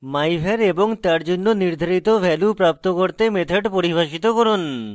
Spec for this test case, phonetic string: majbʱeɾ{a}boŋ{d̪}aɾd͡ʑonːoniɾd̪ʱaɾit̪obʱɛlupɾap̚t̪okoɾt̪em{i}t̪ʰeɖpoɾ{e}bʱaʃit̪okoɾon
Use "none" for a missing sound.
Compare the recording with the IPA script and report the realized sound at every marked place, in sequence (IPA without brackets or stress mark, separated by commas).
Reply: e, t̪, e, i